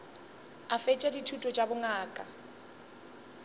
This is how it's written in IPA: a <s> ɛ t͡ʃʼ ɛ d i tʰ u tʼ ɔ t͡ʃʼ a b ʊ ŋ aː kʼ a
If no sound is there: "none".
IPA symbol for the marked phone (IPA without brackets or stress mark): f